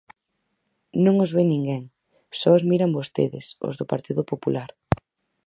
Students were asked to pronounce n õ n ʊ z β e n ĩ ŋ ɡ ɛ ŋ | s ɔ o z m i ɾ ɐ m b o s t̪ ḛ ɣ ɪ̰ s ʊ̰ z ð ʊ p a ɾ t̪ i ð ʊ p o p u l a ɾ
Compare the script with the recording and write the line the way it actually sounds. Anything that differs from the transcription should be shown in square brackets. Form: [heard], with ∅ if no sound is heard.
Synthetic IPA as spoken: n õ [ŋ] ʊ z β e n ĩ ŋ ɡ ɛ ŋ | s ɔ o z m i ɾ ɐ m b o s t̪ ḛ [ð] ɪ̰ s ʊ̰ z ð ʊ p a ɾ t̪ i ð ʊ p o p u l a ɾ